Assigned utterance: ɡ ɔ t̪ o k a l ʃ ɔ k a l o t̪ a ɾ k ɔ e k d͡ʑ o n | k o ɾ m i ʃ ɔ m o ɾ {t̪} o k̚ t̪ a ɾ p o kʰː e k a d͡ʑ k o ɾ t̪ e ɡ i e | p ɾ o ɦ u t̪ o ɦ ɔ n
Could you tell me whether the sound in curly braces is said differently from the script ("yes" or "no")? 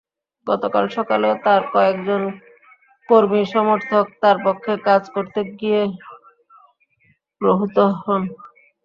yes